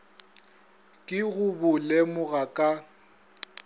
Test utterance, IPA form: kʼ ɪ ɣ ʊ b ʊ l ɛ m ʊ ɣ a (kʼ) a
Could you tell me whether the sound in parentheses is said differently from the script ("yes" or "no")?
no